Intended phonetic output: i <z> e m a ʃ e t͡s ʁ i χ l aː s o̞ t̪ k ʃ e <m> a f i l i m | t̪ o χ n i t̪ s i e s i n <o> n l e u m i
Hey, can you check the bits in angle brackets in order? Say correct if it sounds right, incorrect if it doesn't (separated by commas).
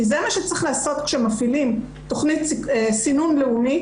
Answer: correct, correct, incorrect